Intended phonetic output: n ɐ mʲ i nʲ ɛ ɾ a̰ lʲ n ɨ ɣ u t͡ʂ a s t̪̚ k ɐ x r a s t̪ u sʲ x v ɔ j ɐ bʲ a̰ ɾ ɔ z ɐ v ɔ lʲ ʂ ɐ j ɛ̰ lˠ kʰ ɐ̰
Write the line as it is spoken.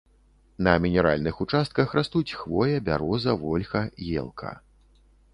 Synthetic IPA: n ɐ mʲ i nʲ ɛ ɾ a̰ lʲ n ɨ x u t͡ʂ a s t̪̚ k ɐ x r a s t̪ u t͡sʲ x v ɔ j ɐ bʲ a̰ ɾ ɔ z ɐ v ɔ lʲ x ɐ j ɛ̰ lˠ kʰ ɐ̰